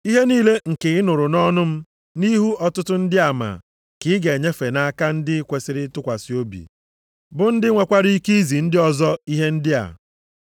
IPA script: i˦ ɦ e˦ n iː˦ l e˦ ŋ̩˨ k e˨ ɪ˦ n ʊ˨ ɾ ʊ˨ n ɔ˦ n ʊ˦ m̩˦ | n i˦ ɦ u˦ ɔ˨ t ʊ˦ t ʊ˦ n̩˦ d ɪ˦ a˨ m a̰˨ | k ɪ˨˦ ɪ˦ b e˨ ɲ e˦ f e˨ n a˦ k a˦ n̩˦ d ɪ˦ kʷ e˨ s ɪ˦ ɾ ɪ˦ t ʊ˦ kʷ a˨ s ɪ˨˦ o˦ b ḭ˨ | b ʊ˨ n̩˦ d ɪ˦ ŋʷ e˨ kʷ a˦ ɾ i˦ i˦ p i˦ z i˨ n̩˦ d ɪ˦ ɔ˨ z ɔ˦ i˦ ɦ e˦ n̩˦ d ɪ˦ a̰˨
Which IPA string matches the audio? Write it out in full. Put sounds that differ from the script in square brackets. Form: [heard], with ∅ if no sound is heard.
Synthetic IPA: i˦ ɦ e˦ n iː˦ l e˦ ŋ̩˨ k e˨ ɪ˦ n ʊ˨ ɾ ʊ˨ n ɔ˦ n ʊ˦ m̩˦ | n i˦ ɦ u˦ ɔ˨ t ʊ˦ t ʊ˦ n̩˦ d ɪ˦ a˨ m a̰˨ | k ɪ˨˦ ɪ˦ [ɡ] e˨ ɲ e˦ f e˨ n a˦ k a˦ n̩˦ d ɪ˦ kʷ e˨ s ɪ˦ ɾ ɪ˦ t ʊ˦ kʷ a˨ s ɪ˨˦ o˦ b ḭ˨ | b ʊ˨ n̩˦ d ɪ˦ ŋʷ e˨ kʷ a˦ ɾ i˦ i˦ [k] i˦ z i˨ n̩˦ d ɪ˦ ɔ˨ z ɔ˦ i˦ ɦ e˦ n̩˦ d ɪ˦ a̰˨

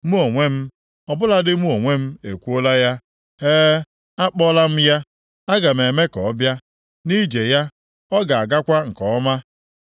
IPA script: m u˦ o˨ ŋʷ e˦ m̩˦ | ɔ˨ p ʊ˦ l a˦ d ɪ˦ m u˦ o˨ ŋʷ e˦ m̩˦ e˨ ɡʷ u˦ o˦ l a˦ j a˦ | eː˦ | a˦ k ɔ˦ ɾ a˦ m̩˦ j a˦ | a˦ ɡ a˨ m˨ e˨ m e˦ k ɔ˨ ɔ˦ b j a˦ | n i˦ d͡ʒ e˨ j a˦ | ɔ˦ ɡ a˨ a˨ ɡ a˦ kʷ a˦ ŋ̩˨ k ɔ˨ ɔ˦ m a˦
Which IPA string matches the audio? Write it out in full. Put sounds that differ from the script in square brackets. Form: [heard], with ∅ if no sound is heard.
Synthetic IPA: m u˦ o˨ ŋʷ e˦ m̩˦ | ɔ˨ [b] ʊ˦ l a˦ d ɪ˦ m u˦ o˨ ŋʷ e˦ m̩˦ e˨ [kʷ] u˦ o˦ l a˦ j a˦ | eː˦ | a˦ [k͡p] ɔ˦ [l] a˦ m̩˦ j a˦ | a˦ ɡ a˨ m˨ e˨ m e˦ k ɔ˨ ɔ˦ b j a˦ | n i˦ d͡ʒ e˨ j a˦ | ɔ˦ ɡ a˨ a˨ ɡ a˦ kʷ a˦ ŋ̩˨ k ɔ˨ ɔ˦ m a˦

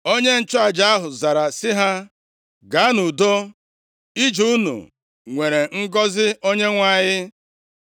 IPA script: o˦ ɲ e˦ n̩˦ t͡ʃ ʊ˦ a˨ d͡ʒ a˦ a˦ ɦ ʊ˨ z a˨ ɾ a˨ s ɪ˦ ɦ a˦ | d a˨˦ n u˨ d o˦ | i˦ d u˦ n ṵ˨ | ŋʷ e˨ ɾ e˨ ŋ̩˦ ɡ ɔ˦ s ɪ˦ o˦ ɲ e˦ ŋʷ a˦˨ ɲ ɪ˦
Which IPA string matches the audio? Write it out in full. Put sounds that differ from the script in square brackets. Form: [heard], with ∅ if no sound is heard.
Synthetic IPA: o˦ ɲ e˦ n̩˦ t͡ʃ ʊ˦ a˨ d͡ʒ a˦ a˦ ɦ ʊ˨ z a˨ ɾ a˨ s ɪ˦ ɦ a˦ | [ɡ] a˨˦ n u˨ d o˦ | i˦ [d͡ʒ] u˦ n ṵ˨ | ŋʷ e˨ ɾ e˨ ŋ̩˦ ɡ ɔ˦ [z] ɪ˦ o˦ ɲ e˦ ŋʷ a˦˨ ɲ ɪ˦

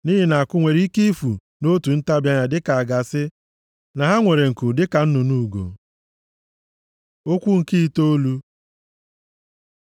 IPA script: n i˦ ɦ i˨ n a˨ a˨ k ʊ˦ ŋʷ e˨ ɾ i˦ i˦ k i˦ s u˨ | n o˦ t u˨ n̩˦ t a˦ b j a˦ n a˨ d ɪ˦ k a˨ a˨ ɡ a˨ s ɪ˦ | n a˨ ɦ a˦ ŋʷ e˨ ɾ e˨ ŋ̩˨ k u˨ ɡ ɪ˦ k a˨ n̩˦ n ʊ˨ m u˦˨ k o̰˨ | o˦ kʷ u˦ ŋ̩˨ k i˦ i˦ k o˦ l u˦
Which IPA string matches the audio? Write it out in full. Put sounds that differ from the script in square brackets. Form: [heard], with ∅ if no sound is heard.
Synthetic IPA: n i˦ ɦ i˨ n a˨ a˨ k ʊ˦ ŋʷ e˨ ɾ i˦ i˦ k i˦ [f] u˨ | n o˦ t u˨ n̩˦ t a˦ b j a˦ [ɲ] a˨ d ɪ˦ k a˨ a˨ ɡ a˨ s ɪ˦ | n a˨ ɦ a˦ ŋʷ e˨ ɾ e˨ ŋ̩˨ k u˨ [d] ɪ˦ k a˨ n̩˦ n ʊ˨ [n] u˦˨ [ɡ] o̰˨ | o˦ kʷ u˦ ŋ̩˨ k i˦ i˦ [t] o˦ l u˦

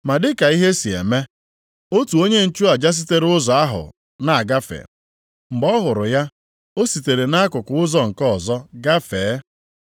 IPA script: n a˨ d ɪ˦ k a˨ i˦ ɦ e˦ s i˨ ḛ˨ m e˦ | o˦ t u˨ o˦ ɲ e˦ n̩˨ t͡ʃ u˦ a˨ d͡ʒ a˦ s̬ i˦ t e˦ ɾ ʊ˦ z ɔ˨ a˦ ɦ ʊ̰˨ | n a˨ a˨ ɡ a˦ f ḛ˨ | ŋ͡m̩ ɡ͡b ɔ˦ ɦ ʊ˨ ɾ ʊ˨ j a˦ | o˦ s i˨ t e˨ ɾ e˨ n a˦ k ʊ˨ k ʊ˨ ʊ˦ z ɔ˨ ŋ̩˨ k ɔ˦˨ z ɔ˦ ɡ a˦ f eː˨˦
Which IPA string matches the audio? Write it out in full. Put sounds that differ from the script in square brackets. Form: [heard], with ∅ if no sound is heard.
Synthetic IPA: [m] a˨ d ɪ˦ k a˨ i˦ ɦ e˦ s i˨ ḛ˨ m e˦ | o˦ t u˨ o˦ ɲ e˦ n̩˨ t͡ʃ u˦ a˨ d͡ʒ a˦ s̬ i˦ t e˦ ɾ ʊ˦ z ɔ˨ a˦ ɦ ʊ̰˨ | n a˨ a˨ ɡ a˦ f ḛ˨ | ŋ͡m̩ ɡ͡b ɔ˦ ɦ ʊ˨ ɾ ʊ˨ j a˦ | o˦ s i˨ t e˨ ɾ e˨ n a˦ k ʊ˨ k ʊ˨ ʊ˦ z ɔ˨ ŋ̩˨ k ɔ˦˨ z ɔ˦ ɡ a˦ f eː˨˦

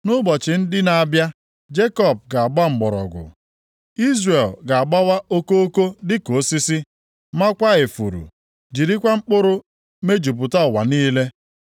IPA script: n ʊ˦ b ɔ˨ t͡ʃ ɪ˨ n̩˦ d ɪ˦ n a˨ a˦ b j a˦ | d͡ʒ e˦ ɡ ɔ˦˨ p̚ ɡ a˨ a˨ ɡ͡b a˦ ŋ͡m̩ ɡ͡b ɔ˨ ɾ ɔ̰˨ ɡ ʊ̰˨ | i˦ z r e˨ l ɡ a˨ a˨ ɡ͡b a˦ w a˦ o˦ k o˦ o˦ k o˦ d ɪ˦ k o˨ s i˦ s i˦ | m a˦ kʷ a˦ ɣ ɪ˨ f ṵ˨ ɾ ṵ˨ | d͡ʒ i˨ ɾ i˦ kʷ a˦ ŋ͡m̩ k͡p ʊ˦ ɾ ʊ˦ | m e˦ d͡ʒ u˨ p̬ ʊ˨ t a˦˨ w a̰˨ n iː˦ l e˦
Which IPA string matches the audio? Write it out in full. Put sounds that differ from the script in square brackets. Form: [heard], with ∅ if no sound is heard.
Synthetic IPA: n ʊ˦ b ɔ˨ t͡ʃ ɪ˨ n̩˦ d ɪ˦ n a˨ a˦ b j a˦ | d͡ʒ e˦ [k] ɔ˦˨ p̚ ɡ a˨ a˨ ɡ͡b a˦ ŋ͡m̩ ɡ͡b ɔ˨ ɾ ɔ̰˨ ɡ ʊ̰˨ | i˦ z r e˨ l ɡ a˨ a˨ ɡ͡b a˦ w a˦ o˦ k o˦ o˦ k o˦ d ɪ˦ k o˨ s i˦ s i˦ | m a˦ kʷ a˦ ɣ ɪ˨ f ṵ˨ ɾ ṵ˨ | d͡ʒ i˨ ɾ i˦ kʷ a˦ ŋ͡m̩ k͡p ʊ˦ ɾ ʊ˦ | m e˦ d͡ʒ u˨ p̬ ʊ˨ t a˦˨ w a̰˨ n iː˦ l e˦

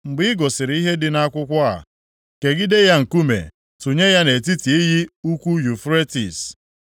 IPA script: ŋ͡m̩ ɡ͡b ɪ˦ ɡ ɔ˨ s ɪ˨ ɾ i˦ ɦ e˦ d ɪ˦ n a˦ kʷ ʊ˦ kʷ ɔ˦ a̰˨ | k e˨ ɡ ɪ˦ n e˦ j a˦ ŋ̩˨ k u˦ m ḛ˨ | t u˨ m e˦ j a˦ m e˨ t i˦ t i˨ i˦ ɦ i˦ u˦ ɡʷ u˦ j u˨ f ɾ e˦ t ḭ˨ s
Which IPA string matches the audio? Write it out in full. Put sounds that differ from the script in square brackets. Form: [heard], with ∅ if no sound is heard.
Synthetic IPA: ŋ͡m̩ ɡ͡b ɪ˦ ɡ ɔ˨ s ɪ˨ ɾ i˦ ɦ e˦ d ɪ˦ n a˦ kʷ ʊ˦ kʷ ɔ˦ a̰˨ | k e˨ ɡ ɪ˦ [d] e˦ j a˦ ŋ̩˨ k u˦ m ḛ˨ | t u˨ [ɲ] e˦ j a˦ [n] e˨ t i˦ t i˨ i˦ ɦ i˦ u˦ [kʷ] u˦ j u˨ f ɾ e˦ t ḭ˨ s

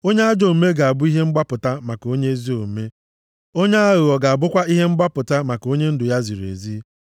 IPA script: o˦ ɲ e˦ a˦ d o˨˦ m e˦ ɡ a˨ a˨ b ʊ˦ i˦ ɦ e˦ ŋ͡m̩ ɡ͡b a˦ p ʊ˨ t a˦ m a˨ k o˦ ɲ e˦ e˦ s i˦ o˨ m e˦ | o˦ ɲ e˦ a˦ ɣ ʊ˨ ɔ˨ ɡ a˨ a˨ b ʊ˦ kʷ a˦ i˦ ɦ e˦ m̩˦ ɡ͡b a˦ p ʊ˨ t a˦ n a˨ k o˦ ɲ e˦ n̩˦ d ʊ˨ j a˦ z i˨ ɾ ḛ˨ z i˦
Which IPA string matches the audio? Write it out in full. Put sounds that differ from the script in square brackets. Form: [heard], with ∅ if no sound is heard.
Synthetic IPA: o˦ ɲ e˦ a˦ [d͡ʒ] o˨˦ m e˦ ɡ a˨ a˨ b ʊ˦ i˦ ɦ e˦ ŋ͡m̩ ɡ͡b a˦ p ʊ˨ t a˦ m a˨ k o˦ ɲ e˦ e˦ [z] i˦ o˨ m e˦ | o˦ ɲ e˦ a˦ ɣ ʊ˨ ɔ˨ ɡ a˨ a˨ b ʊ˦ kʷ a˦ i˦ ɦ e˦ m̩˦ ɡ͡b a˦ p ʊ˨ t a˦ [m] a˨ k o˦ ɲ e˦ n̩˦ d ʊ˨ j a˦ z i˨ ɾ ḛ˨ z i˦

